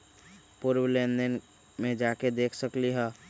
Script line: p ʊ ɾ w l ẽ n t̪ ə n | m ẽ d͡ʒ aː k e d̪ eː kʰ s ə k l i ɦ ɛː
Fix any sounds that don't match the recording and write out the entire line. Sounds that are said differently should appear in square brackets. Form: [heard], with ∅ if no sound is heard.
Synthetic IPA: p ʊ ɾ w l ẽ n [d̪] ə n | m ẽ d͡ʒ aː k e d̪ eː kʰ s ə k l i ɦ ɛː